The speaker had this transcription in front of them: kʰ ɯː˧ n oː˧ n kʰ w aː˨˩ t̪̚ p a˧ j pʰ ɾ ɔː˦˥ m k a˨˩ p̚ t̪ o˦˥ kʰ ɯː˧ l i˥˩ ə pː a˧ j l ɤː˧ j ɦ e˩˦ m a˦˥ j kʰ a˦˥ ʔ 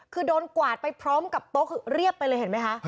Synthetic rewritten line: kʰ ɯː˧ d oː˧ n k w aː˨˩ t̪̚ p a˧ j pʰ ɾ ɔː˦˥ m k a˨˩ p̚ t̪ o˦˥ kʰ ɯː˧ ɾ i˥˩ ə pː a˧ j l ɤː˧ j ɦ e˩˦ m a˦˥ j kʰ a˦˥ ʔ